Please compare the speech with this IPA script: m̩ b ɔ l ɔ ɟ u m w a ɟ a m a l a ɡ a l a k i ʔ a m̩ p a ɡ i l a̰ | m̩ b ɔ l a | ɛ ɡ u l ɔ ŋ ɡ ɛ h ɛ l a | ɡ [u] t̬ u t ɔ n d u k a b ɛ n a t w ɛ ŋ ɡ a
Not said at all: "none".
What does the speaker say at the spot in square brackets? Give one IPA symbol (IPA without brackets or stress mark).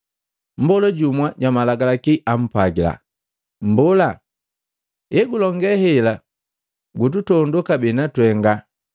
u